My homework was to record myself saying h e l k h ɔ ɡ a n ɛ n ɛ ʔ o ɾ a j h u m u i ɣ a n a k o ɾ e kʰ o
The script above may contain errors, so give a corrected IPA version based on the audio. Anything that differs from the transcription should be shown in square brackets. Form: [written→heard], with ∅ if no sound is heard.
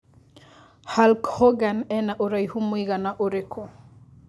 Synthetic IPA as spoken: h [e→a] l k h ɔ ɡ a n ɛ n [ɛ→a] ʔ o ɾ a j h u m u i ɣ a n a [k→ʔ] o ɾ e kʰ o